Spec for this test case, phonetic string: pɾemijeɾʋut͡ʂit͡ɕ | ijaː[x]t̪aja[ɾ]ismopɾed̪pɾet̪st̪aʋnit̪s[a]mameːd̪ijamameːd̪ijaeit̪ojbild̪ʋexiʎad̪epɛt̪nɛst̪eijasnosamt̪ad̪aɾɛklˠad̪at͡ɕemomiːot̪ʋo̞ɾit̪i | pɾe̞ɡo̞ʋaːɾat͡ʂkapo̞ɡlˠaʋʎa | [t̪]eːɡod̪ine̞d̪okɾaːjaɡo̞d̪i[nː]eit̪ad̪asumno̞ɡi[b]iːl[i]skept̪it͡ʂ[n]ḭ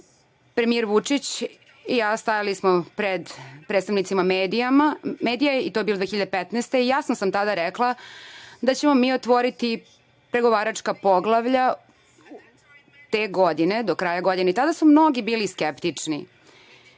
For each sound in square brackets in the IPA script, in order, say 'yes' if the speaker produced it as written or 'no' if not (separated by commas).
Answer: no, no, no, yes, no, yes, yes, yes